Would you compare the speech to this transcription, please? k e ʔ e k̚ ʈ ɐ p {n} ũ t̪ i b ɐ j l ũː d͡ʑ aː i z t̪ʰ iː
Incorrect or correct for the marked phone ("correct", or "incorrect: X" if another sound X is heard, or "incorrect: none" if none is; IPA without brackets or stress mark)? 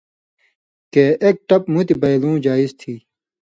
incorrect: m